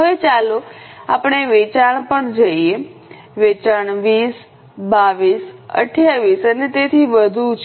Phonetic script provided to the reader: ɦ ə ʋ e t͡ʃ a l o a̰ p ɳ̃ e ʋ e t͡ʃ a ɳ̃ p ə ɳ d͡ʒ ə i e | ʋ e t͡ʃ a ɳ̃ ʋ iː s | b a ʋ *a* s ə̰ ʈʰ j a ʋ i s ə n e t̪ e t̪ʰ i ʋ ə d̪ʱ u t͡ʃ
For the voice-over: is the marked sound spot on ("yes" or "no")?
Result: no